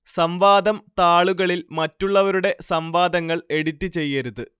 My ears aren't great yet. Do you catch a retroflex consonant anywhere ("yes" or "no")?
yes